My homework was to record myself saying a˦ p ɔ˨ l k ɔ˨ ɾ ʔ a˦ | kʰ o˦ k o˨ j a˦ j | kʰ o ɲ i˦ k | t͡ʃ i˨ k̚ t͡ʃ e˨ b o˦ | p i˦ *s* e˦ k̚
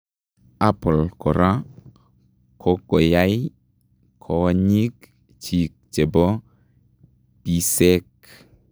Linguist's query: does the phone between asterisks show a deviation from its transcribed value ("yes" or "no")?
no